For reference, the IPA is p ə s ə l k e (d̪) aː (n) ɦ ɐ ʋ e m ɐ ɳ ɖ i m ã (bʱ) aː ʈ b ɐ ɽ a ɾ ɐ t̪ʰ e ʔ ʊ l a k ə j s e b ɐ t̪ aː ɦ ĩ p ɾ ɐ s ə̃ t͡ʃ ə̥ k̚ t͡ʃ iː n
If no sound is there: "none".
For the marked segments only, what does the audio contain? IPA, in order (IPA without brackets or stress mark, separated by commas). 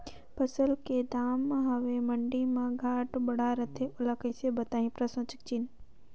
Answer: d̪, m, ɡʱ